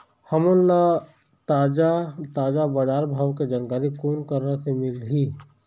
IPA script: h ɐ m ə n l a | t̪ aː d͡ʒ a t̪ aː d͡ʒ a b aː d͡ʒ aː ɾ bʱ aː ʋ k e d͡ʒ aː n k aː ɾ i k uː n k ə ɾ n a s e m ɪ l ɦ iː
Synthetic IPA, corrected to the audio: h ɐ m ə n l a | t̪ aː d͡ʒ a t̪ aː d͡ʒ a b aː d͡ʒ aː ɾ bʱ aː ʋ k e d͡ʒ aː n k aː ɾ i k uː n k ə ɾ n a s e m ɪ l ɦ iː